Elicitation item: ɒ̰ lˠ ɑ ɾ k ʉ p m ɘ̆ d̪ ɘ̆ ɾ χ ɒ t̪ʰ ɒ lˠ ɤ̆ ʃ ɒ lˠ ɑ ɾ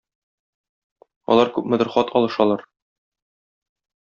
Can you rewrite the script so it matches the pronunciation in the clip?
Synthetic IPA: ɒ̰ lˠ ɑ ɾ k ʉ p m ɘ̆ d̪ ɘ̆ ɾ χ ɒ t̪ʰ ɒ lˠ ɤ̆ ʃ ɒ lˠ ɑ ɾ

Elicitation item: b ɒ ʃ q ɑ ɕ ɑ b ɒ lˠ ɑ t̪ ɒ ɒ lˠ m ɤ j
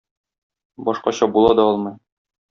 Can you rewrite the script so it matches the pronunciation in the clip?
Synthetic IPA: b ɒ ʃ q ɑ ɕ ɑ b u lˠ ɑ d̪ ɒ ɒ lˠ m ɤ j

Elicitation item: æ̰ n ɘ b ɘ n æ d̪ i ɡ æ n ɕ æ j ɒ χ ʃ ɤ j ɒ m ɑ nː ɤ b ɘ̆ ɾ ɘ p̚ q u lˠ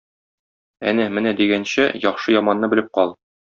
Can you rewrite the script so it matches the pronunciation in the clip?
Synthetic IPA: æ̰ n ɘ m ɘ n æ d̪ i ɡ æ n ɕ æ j ɒ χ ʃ ɤ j ɒ m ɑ nː ɤ b ɘ̆ l ɘ p̚ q ɒ lˠ

